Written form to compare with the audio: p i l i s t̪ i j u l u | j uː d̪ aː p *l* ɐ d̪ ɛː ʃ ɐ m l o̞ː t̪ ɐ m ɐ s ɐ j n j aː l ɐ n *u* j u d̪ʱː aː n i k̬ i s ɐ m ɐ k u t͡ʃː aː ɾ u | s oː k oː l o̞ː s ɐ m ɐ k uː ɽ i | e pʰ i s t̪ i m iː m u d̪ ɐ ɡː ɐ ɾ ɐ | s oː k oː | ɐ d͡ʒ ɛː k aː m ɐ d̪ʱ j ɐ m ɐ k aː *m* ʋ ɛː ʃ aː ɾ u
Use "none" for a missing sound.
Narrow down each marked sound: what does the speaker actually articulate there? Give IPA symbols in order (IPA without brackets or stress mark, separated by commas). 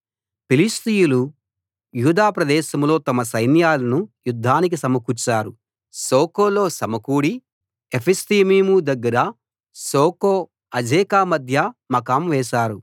ɾ, u, m